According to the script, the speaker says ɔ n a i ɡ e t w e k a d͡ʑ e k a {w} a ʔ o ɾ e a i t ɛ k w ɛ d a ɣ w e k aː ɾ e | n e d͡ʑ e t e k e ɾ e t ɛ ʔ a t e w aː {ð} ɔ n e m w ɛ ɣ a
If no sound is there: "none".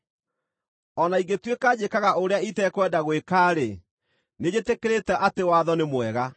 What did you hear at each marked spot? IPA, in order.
ɣ, ð

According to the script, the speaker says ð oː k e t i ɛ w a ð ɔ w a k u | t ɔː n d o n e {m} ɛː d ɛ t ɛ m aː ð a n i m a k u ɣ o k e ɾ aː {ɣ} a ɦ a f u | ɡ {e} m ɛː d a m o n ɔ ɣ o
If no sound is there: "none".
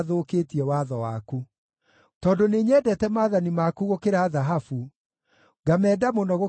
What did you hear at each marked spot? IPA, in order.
ɲ, ð, a

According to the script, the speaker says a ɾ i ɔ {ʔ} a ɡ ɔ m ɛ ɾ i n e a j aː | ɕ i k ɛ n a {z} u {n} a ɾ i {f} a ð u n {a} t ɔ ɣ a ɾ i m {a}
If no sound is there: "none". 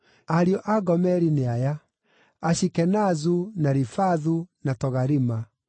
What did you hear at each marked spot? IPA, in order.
ʔ, z, n, f, a, a

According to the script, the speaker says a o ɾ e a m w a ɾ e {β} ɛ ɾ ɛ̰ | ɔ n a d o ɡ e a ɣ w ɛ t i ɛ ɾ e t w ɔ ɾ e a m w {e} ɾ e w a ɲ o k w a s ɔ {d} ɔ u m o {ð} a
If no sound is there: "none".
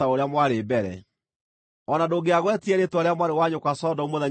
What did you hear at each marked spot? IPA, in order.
b, a, d, ð

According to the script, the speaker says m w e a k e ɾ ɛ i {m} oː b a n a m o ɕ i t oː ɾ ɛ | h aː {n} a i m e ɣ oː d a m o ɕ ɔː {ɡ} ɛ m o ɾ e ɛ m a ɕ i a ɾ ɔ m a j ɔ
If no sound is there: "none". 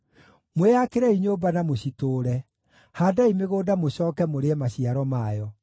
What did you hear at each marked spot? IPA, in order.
ɲ, d, k

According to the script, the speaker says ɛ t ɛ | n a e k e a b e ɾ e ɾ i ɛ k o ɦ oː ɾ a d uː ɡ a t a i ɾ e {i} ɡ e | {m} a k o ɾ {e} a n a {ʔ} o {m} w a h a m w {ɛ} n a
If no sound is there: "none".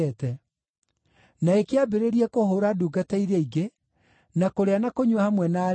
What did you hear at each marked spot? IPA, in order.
i, n, e, k, ɲ, ɛ

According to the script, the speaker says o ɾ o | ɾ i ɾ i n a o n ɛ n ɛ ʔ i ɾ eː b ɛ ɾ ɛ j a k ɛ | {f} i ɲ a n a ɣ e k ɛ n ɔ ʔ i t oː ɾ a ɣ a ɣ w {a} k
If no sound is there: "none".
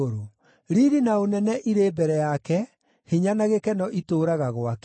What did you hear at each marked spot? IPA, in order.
h, a

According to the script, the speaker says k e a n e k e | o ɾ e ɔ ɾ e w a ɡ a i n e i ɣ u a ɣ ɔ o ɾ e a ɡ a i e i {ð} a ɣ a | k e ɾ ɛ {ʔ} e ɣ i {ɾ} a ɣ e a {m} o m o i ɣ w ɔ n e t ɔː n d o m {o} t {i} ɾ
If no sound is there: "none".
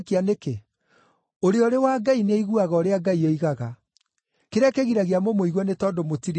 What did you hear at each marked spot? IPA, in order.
ɣ, k, ɾ, m, o, i

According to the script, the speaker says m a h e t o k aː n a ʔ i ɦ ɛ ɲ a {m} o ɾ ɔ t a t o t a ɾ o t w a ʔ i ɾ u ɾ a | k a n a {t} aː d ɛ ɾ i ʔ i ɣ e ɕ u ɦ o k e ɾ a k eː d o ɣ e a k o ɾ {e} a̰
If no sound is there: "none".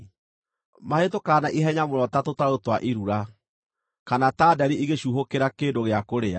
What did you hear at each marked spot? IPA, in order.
m, t, e

